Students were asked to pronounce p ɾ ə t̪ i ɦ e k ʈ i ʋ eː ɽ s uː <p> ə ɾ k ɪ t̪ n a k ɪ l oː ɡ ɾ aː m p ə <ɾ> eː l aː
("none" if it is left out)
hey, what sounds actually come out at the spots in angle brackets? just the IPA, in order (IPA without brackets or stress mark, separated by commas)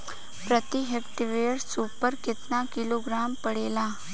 p, ɽ